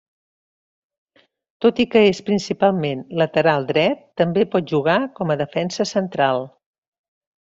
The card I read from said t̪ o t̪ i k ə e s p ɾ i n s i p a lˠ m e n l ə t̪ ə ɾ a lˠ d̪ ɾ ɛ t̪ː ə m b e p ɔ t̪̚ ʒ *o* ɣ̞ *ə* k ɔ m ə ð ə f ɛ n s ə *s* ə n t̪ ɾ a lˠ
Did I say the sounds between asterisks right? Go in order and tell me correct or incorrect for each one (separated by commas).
incorrect, incorrect, correct